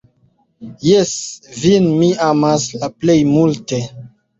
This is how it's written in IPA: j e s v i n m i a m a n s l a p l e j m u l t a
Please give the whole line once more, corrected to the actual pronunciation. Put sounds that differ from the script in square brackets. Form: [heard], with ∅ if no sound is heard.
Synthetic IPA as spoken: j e s v i n m i a m a [∅] s l a p l e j m u l t [e]